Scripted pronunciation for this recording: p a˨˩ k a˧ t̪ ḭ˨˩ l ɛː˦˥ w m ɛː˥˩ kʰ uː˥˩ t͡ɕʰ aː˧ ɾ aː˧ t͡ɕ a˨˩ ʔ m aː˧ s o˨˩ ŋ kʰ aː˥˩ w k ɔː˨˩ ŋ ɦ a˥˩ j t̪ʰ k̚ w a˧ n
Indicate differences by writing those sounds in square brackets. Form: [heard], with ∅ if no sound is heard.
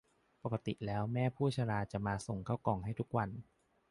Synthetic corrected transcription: p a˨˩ k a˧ t̪ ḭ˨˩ l ɛː˦˥ w m ɛː˥˩ [pʰ] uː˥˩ t͡ɕʰ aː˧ ɾ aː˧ t͡ɕ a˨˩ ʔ m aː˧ s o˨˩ ŋ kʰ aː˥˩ w k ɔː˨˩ ŋ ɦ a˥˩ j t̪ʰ k̚ w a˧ n